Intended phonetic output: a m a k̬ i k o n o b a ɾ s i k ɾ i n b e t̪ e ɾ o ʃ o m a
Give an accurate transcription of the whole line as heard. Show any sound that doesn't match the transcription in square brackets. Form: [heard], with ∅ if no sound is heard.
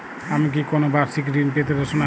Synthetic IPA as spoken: a m [i] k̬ i k o n o b a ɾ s i k ɾ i n [p] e t̪ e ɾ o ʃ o [n] a